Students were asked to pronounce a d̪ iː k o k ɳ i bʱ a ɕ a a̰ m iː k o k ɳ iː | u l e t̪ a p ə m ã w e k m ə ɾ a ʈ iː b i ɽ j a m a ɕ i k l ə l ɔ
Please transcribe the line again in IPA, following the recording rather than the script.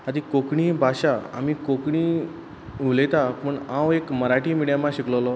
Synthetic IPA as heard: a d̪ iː k o k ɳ i bʱ a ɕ a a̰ m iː k o k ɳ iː | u l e t̪ a p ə ɳ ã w e k m ə ɾ a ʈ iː m i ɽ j a m a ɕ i k l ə l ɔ